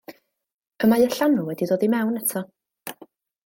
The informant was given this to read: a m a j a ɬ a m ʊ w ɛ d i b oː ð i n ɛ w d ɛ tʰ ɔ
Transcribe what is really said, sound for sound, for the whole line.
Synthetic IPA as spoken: ə m a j ə ɬ a n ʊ w ɛ d i d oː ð i m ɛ w n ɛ tʰ ɔ